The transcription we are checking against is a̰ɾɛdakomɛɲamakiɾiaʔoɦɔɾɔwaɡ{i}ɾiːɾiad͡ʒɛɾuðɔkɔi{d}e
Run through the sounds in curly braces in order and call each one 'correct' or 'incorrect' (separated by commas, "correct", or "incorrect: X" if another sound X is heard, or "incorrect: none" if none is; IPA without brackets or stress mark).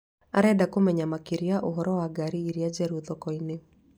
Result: incorrect: a, incorrect: n